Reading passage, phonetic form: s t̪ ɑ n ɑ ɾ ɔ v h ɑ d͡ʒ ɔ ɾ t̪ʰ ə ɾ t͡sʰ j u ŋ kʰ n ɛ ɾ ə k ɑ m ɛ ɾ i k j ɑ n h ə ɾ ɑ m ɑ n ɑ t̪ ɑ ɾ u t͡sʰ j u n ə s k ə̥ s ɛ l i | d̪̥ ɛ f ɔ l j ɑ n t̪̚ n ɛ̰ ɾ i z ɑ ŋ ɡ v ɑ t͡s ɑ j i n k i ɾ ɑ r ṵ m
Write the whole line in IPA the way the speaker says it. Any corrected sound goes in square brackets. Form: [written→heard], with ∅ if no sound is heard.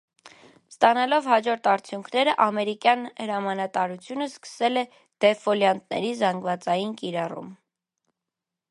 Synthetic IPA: s t̪ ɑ n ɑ [ɾ→l] ɔ v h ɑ d͡ʒ ɔ ɾ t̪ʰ [ə→ɑ] ɾ t͡sʰ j u ŋ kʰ n ɛ ɾ ə [k→ʔ] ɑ m ɛ ɾ i k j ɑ n h ə ɾ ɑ m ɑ n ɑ t̪ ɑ ɾ u t͡sʰ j u n ə s k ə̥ s ɛ l [i→ɛ] | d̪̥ ɛ f ɔ l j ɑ n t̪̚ n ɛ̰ ɾ i z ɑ ŋ ɡ v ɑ t͡s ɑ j i n k i ɾ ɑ r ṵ m